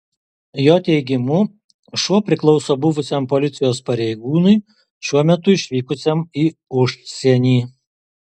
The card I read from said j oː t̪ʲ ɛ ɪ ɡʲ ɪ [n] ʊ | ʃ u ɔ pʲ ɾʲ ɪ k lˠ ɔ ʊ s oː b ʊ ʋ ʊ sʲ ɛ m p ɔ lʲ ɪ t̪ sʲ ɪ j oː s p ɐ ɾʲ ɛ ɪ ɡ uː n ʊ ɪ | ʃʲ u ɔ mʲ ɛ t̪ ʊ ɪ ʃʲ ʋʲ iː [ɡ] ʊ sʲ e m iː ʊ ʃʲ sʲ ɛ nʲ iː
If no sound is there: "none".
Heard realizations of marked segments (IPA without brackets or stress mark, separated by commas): m, k